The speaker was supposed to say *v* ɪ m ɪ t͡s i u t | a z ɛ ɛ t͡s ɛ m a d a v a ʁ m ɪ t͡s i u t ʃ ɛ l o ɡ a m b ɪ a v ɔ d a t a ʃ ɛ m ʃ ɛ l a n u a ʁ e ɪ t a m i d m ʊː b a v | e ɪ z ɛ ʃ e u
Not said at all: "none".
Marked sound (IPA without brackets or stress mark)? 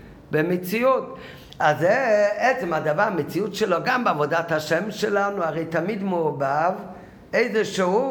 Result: b